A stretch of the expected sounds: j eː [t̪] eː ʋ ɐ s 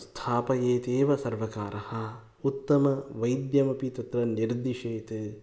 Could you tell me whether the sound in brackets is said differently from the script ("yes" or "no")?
no